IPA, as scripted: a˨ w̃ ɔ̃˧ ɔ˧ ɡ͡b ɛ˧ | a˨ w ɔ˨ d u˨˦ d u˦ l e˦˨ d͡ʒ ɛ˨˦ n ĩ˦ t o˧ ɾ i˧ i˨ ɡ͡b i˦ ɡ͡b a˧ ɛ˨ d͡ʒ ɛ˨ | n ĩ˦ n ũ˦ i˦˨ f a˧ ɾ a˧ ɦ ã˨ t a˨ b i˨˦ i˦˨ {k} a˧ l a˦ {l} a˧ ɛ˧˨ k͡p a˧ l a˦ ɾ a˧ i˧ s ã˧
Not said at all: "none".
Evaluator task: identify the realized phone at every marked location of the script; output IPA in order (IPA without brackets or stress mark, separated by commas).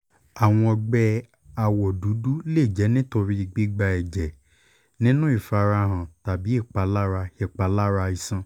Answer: k͡p, ɾ